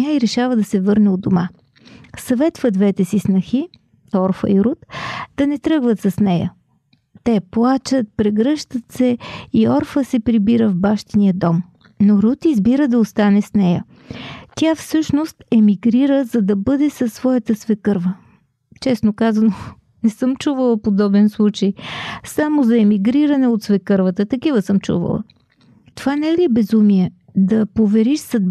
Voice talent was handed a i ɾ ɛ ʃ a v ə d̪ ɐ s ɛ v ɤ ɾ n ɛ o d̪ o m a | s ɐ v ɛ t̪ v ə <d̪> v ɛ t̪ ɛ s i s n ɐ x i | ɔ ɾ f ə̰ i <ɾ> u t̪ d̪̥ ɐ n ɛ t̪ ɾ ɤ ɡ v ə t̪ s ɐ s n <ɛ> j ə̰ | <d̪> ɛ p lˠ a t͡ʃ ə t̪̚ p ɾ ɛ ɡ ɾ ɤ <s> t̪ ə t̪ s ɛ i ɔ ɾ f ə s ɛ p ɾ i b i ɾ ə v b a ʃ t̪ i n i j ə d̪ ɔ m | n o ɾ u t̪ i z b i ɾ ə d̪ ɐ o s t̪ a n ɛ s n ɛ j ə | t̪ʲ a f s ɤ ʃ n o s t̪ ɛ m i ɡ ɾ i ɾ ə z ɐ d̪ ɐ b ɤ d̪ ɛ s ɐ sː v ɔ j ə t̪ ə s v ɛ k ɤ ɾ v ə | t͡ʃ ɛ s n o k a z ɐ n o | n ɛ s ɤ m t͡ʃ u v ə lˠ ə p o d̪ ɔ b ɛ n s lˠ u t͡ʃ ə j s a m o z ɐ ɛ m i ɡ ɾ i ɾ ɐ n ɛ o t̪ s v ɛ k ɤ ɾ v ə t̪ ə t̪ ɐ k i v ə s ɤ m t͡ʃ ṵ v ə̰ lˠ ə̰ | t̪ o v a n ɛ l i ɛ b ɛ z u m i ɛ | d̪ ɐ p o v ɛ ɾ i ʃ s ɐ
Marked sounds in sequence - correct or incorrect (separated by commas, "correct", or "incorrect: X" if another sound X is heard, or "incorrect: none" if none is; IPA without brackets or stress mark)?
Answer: correct, correct, correct, incorrect: t̪, incorrect: ʃ